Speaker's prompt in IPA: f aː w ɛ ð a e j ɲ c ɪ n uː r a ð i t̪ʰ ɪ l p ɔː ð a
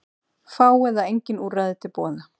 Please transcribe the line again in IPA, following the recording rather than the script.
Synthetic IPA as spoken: f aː w ɛ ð a e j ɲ c ɪ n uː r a ð ɪ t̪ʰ ɪ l p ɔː ð a